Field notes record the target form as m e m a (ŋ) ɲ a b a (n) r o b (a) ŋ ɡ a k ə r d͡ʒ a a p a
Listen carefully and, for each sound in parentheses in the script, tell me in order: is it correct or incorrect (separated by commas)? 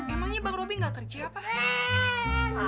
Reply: correct, incorrect, incorrect